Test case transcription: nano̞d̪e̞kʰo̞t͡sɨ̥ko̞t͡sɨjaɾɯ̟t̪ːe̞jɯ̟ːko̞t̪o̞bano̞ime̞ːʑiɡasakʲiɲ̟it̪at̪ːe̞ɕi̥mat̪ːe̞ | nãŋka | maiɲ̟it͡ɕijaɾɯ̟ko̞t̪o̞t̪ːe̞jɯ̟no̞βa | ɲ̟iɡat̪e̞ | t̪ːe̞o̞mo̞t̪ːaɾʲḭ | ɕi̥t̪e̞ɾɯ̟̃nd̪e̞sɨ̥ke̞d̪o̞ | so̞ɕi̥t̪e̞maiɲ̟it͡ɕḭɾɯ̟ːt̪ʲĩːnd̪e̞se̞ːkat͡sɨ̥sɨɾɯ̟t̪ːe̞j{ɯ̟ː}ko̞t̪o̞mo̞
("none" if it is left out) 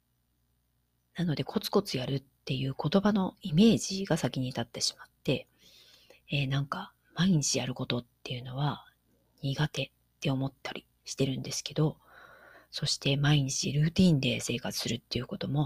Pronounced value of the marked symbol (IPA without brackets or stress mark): ɯ̟